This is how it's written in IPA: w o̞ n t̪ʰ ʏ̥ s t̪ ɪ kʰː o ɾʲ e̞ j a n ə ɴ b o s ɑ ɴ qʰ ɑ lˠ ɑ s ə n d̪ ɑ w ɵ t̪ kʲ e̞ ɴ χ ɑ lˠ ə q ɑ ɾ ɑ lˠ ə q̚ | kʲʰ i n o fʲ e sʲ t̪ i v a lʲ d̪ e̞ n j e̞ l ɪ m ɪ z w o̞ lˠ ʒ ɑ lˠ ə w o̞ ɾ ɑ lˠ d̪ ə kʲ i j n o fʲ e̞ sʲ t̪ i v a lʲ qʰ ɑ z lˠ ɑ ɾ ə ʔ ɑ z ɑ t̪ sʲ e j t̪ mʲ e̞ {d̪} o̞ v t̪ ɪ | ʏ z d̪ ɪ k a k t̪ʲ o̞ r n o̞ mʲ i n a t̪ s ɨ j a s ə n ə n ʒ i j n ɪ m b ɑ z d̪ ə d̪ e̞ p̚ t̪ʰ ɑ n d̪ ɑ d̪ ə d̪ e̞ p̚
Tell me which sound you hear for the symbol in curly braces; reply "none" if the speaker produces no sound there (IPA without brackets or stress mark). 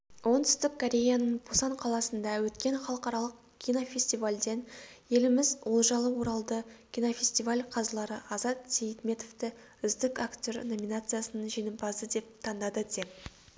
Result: t̪